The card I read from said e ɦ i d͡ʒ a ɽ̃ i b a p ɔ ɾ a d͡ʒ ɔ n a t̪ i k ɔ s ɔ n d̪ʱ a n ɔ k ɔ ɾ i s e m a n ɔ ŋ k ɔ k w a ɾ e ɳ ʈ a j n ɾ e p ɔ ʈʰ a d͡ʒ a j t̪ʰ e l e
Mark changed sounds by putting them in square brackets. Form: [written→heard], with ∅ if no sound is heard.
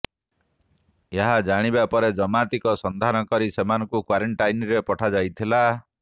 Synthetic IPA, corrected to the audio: e ɦ [i→a] d͡ʒ a ɽ̃ i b a p ɔ ɾ [a→e] d͡ʒ ɔ [n→m] a t̪ i k ɔ s ɔ n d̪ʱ a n ɔ k ɔ ɾ i s e m a n ɔ ŋ k [ɔ→u] k w a ɾ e ɳ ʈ a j n ɾ e p ɔ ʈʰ a d͡ʒ a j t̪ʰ [e→i] l [e→a]